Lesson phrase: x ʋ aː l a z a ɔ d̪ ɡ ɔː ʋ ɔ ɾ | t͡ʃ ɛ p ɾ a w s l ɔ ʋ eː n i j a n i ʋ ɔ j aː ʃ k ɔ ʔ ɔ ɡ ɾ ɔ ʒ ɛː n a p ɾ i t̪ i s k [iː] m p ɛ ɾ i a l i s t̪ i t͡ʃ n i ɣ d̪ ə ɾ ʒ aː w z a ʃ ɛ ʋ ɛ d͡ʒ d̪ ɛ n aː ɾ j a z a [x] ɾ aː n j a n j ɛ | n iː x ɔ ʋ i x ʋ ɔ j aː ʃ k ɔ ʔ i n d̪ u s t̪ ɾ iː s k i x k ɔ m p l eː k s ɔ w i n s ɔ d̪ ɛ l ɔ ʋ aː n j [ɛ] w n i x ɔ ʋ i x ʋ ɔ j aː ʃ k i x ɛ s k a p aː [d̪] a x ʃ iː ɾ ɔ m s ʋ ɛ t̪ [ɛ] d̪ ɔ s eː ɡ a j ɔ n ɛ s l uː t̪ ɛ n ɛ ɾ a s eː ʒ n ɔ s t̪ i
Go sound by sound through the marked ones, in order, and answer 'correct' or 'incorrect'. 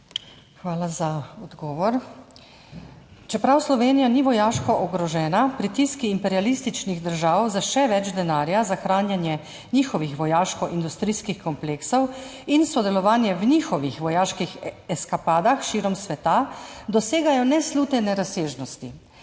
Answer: correct, correct, correct, correct, incorrect

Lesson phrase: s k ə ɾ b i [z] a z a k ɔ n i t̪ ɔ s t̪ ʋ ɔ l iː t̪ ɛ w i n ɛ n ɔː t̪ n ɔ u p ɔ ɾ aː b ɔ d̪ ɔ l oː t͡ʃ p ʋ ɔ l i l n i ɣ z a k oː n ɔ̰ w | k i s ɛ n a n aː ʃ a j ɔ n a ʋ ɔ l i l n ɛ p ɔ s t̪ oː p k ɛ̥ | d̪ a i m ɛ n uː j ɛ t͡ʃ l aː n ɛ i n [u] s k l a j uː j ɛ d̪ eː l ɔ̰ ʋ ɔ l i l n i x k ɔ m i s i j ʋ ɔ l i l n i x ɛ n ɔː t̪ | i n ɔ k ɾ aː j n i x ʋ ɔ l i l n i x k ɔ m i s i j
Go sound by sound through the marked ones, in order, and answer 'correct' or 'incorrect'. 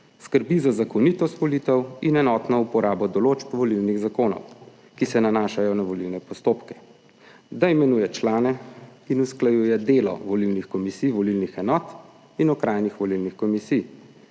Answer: correct, correct

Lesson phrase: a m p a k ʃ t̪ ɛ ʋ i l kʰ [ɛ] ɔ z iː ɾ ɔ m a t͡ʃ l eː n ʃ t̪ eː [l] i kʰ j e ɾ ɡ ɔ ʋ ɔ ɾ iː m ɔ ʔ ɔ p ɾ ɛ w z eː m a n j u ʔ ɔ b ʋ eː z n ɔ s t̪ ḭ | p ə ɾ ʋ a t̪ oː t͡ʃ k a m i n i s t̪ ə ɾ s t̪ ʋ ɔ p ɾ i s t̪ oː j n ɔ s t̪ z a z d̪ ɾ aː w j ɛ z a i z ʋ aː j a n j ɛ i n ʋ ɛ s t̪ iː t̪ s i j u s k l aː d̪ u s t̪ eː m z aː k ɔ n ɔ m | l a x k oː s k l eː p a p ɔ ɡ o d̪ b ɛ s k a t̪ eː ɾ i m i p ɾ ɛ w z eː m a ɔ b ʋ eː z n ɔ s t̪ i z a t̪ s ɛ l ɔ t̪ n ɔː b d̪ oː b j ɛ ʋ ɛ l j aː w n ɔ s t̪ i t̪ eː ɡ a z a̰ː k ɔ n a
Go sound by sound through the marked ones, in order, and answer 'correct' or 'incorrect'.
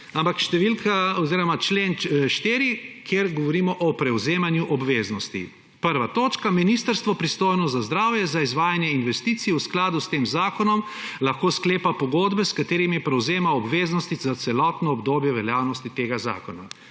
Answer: incorrect, incorrect

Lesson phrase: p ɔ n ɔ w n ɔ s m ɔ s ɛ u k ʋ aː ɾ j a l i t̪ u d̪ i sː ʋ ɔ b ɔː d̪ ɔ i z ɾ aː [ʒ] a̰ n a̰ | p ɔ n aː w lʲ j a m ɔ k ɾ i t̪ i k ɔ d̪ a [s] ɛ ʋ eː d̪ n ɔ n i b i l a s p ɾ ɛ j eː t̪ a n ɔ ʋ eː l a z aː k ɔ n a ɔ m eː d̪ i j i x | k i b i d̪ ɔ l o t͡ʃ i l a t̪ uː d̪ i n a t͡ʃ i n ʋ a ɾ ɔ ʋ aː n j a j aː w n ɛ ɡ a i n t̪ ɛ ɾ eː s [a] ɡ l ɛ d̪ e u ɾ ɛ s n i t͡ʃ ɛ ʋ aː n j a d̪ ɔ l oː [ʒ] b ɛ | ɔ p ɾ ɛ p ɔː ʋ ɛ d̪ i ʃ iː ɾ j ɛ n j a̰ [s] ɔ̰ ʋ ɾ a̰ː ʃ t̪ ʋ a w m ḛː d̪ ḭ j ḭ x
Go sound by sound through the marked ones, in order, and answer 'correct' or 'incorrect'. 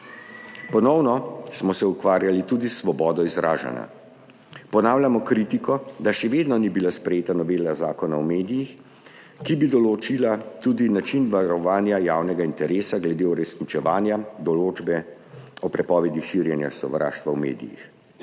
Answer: correct, incorrect, correct, incorrect, correct

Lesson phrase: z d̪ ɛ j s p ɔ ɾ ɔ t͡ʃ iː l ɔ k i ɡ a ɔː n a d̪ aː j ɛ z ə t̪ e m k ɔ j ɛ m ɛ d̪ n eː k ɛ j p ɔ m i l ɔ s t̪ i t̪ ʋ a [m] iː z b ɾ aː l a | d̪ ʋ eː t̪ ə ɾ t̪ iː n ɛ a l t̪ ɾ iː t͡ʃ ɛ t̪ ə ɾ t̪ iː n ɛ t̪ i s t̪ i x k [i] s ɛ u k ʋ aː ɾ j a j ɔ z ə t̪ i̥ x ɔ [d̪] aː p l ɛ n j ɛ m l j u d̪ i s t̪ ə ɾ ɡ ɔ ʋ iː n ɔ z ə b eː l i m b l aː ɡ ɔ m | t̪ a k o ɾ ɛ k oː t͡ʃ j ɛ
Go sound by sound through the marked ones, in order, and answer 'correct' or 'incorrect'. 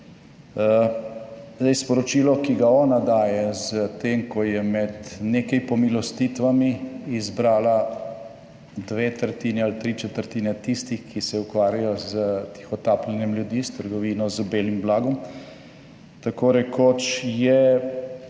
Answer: correct, correct, incorrect

